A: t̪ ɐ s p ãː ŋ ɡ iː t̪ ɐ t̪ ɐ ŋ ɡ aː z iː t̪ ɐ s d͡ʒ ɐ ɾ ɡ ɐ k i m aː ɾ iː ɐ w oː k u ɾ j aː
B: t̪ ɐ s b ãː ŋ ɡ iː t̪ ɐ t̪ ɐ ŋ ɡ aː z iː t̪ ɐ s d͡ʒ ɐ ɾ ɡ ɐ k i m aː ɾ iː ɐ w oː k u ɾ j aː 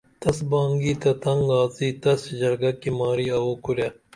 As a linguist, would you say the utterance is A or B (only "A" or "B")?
B